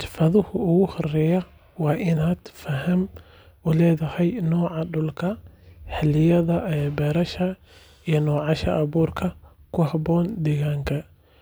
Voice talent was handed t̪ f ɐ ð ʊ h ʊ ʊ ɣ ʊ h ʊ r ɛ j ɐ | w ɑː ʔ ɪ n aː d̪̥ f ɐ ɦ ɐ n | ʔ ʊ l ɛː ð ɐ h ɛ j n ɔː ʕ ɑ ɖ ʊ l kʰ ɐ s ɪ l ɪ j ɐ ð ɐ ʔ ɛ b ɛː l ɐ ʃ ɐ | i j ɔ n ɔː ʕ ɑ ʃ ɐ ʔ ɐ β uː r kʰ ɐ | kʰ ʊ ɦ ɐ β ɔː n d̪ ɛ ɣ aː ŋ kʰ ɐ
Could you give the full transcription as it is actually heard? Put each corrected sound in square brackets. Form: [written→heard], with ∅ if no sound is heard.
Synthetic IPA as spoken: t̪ f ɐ ð ʊ h ʊ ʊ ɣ ʊ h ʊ r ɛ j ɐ | w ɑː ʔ ɪ n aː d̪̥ f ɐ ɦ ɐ [n→m] | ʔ ʊ l ɛː ð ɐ h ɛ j n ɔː ʕ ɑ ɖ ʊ l kʰ ɐ [s→ħ] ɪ l ɪ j ɐ ð ɐ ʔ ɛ b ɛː [l→ɾ] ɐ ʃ ɐ | i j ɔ n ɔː ʕ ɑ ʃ ɐ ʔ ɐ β uː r kʰ ɐ | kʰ ʊ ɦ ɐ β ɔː n d̪ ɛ ɣ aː ŋ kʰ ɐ